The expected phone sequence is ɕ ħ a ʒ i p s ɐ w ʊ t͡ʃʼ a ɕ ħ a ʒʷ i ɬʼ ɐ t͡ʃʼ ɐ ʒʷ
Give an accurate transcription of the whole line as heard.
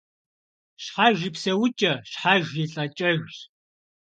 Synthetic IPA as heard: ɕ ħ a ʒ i p s ɐ w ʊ t͡ʃʼ ɐ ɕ ħ a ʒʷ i ɬʼ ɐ t͡ʃʼ ɐ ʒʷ